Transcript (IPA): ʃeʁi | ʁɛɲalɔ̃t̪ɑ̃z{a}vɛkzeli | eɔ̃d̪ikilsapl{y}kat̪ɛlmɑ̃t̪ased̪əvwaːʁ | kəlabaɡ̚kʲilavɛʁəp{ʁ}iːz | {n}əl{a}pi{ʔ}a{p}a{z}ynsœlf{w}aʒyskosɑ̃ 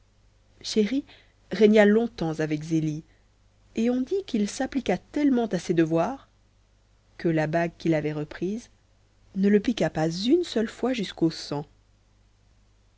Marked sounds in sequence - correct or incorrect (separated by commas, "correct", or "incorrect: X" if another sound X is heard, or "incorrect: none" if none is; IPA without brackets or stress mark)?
correct, incorrect: i, incorrect: χ, correct, incorrect: ə, incorrect: k, correct, correct, correct